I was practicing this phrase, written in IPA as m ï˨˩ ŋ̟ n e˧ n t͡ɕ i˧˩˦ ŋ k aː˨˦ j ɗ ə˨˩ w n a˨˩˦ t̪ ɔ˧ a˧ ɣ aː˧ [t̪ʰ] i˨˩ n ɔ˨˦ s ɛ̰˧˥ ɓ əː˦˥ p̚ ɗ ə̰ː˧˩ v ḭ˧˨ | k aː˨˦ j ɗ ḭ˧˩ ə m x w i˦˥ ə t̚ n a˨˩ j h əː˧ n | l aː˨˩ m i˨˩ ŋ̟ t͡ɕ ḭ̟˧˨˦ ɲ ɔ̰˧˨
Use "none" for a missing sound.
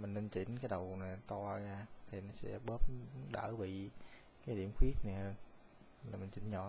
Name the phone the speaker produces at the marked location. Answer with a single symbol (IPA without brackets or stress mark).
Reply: t̪ʰ